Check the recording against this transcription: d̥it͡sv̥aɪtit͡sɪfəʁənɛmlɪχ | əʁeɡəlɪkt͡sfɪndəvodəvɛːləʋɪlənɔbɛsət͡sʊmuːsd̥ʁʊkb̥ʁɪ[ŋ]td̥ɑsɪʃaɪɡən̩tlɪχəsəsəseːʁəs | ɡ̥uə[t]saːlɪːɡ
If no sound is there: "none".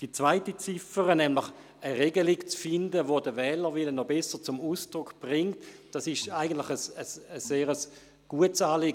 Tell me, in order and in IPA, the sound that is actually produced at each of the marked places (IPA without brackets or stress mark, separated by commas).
ŋ, t